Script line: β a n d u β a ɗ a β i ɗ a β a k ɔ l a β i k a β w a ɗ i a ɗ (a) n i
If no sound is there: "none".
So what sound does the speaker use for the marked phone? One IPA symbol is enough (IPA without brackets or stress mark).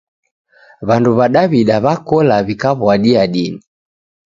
i